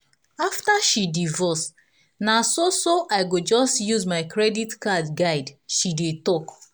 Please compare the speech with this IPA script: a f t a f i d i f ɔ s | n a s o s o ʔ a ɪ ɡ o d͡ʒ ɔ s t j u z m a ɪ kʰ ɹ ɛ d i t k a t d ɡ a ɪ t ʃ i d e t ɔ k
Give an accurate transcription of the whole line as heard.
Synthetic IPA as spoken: a f t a ʃ i d i v ɔ s | n a s o s o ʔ a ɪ ɡ o d͡ʒ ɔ s t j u z m a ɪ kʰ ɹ ɛ d i t k a d ɡ a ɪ d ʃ i d e t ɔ k